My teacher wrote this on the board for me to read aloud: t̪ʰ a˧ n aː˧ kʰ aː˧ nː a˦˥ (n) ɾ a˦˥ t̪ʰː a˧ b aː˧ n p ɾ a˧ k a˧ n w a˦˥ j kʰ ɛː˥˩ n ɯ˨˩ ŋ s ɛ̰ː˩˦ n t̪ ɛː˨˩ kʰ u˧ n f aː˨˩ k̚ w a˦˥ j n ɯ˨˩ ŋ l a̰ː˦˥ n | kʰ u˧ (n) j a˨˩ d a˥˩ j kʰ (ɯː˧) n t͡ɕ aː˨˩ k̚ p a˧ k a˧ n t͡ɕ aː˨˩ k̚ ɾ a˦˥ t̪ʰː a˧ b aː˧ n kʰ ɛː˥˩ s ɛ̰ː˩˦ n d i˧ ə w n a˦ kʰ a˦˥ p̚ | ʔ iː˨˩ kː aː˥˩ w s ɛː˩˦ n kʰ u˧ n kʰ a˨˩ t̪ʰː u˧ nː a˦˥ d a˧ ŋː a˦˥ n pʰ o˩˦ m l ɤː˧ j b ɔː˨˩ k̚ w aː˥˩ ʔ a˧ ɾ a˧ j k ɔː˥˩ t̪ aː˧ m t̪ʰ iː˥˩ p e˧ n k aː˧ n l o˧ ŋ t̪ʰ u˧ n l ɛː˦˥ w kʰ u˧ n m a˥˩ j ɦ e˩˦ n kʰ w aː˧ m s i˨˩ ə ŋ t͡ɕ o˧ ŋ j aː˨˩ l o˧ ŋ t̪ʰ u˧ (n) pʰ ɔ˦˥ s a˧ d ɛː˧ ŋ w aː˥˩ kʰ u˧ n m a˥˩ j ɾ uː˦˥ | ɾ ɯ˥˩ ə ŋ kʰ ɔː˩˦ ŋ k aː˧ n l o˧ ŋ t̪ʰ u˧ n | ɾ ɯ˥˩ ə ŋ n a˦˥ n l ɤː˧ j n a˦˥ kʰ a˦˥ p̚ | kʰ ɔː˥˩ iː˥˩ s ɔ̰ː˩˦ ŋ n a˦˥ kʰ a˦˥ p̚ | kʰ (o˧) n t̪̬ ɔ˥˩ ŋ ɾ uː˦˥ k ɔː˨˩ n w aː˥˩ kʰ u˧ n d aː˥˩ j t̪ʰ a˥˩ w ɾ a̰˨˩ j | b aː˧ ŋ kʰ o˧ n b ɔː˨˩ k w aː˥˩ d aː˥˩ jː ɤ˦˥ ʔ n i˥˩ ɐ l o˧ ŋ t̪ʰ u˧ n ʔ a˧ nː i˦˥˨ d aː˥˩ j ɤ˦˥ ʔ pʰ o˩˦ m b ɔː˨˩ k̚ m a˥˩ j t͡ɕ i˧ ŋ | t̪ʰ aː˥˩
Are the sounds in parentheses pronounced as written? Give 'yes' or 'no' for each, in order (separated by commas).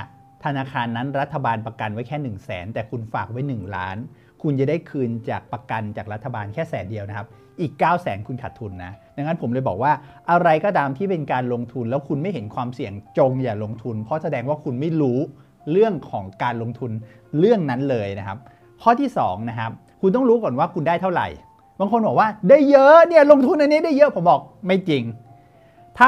yes, yes, yes, yes, no